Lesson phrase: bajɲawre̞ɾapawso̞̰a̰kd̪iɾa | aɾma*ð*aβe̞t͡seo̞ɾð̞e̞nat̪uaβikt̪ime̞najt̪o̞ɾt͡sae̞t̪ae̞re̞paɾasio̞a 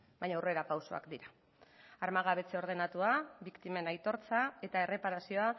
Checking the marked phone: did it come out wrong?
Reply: yes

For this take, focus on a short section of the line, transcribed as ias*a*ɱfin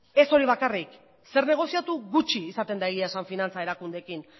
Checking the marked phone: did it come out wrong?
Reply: no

